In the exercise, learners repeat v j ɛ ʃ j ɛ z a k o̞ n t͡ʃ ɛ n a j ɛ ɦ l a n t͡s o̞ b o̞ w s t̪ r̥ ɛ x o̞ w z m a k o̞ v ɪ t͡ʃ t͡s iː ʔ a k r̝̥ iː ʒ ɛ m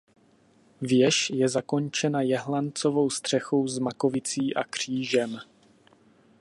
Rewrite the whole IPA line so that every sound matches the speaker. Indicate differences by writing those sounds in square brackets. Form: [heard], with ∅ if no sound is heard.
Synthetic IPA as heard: v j ɛ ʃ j ɛ z a k o̞ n t͡ʃ ɛ n a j ɛ ɦ l a n t͡s o̞ [v] o̞ w s t̪ r̥ ɛ x o̞ w z m a k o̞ v ɪ [∅] t͡s iː ʔ a k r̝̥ iː ʒ ɛ m